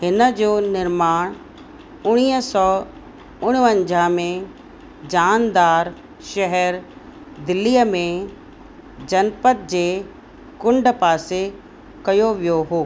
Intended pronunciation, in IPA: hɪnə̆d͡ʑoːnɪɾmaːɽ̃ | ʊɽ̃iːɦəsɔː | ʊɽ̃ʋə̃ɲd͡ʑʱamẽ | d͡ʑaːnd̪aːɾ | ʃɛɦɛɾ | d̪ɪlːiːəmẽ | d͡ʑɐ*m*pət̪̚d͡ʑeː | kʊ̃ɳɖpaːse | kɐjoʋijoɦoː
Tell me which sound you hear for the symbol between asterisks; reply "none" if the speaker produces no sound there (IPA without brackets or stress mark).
n